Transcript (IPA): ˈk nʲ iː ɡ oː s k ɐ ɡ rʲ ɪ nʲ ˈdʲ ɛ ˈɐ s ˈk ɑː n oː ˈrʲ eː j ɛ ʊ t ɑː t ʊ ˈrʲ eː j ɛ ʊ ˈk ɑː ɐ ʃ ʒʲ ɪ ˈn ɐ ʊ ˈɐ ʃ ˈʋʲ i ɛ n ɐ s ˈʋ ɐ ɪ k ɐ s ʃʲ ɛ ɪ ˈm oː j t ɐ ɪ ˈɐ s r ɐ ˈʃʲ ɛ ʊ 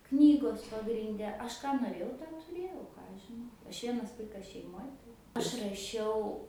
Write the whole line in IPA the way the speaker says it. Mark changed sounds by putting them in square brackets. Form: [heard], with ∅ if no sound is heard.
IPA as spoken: ˈk nʲ iː ɡ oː s [p] ɐ ɡ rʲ ɪ nʲ ˈdʲ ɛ ˈɐ [ʃ] ˈk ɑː n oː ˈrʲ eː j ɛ ʊ t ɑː t ʊ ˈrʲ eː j ɛ ʊ ˈk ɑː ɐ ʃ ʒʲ ɪ ˈn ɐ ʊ ˈɐ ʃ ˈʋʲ i ɛ n ɐ s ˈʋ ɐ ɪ k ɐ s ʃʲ ɛ ɪ ˈm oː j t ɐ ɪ ˈɐ [ʃ] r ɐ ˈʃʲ ɛ ʊ